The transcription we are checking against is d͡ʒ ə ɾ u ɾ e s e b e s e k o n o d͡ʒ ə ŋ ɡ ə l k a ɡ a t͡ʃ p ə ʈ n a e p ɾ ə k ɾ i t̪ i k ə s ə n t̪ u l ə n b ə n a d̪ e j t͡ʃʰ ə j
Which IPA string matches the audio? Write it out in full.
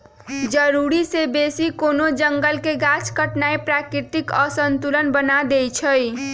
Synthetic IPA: d͡ʒ ə ɾ u ɾ i s e b e s i k o n o d͡ʒ ə ŋ ɡ ə l k e ɡ a t͡ʃ k ə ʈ n a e p ɾ a k ɾ i t̪ i k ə s ə n t̪ u l ə n b ə n a d̪ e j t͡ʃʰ ə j

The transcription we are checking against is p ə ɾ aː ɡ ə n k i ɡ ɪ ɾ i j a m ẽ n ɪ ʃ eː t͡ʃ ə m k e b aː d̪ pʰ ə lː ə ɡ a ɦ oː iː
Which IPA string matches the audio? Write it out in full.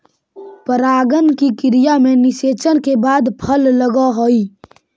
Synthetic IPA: p ə ɾ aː ɡ ə n k i k ɪ ɾ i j a m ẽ n ɪ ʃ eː t͡ʃ ə n k e b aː d̪ pʰ ə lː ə ɡ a ɦ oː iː

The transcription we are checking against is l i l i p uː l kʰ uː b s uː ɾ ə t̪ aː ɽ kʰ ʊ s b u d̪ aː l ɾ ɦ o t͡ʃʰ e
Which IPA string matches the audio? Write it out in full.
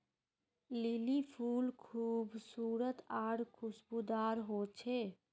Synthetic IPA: l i l i pʰ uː l kʰ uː b s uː ɾ ə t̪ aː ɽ kʰ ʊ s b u d̪ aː ɾ ɦ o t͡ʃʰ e

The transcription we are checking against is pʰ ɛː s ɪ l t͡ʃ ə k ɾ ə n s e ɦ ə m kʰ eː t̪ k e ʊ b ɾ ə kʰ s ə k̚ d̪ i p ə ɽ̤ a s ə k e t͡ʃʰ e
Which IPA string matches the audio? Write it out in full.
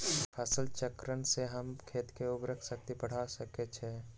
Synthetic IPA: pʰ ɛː s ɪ l t͡ʃ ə k ɾ ə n s e ɦ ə m kʰ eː t̪ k e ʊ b ɾ ə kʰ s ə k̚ t̪ i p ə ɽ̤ a s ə k e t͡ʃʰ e

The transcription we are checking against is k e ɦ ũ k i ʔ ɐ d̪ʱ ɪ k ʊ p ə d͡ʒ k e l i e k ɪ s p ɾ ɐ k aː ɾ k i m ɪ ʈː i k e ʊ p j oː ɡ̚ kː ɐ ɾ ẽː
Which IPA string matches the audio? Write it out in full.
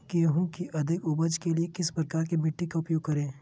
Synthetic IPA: k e ɦ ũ k i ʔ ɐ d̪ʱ ɪ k ʊ b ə d͡ʒ k e l i e k ɪ s p ɾ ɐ k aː ɾ k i m ɪ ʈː i k a ʊ p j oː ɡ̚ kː ɐ ɾ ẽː

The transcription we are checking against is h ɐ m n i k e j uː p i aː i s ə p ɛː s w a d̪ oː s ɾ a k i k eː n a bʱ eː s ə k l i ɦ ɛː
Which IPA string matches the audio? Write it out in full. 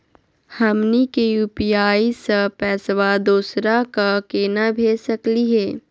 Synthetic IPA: h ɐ m n i k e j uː p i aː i s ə p ɛː s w a d̪ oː s ɾ a k a k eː n a bʱ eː s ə k l i ɦ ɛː

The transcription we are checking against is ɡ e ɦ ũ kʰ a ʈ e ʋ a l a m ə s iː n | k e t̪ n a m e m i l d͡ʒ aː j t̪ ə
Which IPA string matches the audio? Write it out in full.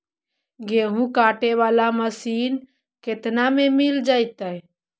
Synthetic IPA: ɡ e ɦ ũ k a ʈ e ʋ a l a m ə s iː n | k e t̪ n a m e m i l d͡ʒ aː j t̪ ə

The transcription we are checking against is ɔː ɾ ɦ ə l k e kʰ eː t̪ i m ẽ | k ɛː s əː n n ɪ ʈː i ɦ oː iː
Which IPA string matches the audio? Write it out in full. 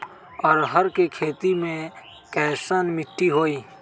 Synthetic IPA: ɔː ɾ ɦ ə ɾ k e kʰ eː t̪ i m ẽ | k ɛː s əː n m ɪ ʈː i ɦ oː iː

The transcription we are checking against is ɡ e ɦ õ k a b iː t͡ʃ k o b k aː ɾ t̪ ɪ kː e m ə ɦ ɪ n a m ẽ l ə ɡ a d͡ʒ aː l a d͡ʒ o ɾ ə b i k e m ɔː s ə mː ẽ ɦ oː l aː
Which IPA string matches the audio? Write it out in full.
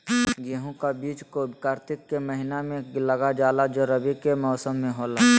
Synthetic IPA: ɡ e ɦ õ k a b iː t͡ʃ k o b k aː ɾ t̪ ɪ kː e m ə ɦ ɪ n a m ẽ l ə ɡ a d͡ʒ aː l a d͡ʒ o ɾ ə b i k e m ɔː s ə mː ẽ ɦ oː l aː

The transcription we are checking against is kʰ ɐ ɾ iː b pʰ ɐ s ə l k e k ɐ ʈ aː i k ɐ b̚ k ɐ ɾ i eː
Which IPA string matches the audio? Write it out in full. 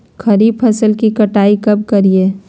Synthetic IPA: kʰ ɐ ɾ iː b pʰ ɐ s ə l k i k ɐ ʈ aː i k ɐ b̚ k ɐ ɾ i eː

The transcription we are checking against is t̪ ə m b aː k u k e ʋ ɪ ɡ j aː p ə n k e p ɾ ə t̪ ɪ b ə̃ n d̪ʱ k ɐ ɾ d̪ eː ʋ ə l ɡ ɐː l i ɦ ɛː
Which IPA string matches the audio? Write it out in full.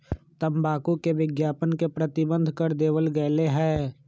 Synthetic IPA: t̪ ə m b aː k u k e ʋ ɪ ɡ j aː p ə n k e p ɾ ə t̪ ɪ b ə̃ n d̪ʱ k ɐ ɾ d̪ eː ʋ ə l ɡ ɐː l e ɦ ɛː

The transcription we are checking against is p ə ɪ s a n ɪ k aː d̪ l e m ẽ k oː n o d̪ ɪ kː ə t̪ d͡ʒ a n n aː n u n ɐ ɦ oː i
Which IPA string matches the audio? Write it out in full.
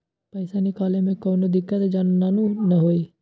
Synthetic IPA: p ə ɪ s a n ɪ k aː l e m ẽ k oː n o d̪ ɪ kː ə t̪ d͡ʒ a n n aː n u n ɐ ɦ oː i

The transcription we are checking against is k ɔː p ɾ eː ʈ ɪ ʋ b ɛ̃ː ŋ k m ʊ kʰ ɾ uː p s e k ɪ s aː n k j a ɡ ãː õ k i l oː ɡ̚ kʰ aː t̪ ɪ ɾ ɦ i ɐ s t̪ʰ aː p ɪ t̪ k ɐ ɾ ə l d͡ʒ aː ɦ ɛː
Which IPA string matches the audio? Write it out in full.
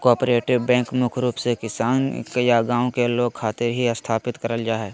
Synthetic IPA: k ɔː p ɾ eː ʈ ɪ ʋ b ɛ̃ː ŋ k m ʊ kʰ ɾ uː p s e k ɪ s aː n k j a ɡ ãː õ k e l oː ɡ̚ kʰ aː t̪ ɪ ɾ ɦ i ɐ s t̪ʰ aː p ɪ t̪ k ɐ ɾ ə l d͡ʒ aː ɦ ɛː

